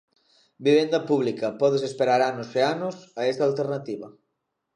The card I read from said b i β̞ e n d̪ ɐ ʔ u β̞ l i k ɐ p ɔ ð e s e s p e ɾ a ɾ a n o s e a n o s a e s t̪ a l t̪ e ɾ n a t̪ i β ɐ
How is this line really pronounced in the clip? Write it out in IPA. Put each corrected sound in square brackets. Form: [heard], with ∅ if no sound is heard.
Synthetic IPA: b i β̞ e n d̪ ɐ [p] u β̞ l i k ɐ p ɔ ð e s e s p e ɾ a ɾ a n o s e a n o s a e s t̪ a l t̪ e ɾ n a t̪ i β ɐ

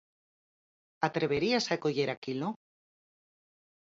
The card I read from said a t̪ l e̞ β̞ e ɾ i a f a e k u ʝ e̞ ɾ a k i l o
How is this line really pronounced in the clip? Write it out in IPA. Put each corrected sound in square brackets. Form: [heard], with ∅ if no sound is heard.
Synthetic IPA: a t̪ [ɾ] e̞ β̞ e ɾ i a [s] a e k [o] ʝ e̞ ɾ a k i l o

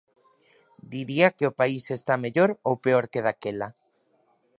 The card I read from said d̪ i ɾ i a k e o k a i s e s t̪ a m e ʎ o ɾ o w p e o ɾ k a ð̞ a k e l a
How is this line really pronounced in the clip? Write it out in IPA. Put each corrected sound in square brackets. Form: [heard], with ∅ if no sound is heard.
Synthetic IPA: d̪ i ɾ i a k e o [p] a i s e s t̪ a m e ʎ o ɾ o w p e o ɾ k [e] ð̞ a k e l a

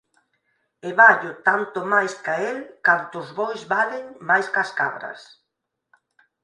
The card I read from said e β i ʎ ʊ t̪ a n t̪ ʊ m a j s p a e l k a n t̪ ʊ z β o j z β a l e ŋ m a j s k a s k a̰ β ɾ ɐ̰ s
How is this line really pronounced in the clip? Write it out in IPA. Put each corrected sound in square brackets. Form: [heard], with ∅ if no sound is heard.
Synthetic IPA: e β [a] ʎ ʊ t̪ a n t̪ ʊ m a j s [k] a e l k a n t̪ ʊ z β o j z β a l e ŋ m a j s k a s k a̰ β ɾ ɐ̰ s

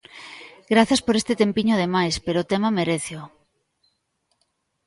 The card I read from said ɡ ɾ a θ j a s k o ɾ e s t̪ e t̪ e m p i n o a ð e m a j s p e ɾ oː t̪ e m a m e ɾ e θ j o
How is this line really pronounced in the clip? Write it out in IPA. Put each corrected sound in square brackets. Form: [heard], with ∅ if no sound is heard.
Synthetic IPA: ɡ ɾ a θ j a s [p] o ɾ e s t̪ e t̪ e m p i [ɲ] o a ð e m a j s p e ɾ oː t̪ e m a m e ɾ e θ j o

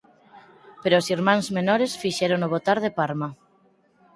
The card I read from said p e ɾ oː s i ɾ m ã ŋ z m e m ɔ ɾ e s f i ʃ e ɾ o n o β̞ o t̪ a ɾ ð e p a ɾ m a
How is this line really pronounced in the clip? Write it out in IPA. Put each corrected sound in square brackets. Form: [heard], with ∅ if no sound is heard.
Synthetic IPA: p e ɾ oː s i ɾ m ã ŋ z m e [n] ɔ ɾ e s f i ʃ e ɾ o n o β̞ o t̪ a ɾ ð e p a ɾ m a

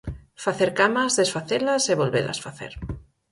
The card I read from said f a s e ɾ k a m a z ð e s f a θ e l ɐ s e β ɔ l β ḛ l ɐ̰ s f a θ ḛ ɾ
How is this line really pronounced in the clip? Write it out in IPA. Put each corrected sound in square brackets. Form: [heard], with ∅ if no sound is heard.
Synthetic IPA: f a [θ] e ɾ k a m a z ð e s f a θ e l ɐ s e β [o] l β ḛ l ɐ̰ s f a θ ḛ ɾ

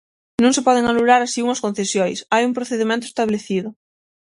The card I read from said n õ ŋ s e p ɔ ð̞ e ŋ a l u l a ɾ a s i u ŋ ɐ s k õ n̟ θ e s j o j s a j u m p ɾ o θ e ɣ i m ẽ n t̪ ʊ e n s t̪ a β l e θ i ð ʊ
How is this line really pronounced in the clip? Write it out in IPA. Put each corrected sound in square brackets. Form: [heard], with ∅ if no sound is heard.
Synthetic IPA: n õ ŋ s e p ɔ ð̞ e ŋ a l u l a ɾ a s i u ŋ ɐ s k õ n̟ θ e s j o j s a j u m p ɾ o θ e [ð] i m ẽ n t̪ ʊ e [∅] s t̪ a β l e θ i ð ʊ

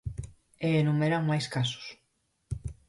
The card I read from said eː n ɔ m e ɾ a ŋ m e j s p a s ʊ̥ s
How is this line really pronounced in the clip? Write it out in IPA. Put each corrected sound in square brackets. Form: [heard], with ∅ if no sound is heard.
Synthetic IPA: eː n [u] m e ɾ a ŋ m [a] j s [k] a s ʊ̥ s

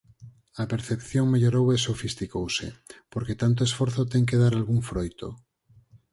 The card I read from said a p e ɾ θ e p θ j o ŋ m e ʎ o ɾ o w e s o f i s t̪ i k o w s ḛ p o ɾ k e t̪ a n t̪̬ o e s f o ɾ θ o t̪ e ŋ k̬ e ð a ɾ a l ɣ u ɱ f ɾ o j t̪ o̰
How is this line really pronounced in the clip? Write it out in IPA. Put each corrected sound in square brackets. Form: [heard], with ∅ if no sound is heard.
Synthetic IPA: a p e ɾ θ e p θ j o ŋ m e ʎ o ɾ o w e s o f i s t̪ i k o w s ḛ p o ɾ k e t̪ a n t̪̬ o e s f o ɾ θ o t̪ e ŋ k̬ e ð a ɾ a l ɣ u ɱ f ɾ o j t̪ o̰

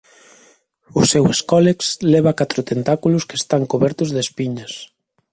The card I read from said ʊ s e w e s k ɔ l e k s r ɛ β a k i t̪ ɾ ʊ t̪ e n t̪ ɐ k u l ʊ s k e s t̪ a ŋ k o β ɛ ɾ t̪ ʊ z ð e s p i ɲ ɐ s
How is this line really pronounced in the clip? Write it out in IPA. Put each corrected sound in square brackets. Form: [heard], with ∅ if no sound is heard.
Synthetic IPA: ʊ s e w e s k ɔ l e k s [l] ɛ β a k [a] t̪ ɾ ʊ t̪ e n t̪ [a] k u l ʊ s k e s t̪ a ŋ k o β ɛ ɾ t̪ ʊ z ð e s p i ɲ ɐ s

